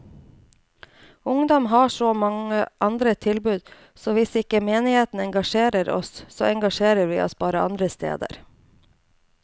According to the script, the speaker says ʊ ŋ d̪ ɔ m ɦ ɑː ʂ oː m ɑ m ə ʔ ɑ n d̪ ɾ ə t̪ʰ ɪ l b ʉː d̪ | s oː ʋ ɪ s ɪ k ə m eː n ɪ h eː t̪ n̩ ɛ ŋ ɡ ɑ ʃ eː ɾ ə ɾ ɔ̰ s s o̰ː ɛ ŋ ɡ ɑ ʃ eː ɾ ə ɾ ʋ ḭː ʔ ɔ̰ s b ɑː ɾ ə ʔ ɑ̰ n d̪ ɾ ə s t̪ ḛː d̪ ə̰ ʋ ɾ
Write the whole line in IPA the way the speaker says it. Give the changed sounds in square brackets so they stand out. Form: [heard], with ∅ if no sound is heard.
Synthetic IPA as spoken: ʊ ŋ d̪ ɔ m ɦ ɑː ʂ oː m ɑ [ŋ] ə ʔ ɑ n d̪ ɾ ə t̪ʰ ɪ l b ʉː d̪ | s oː ʋ ɪ s ɪ k ə m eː n ɪ h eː t̪ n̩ ɛ ŋ ɡ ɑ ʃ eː ɾ ə ɾ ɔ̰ s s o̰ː ɛ ŋ ɡ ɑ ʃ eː ɾ ə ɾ ʋ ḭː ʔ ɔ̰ s b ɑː ɾ ə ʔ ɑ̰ n d̪ ɾ ə s t̪ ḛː d̪ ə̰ [∅] ɾ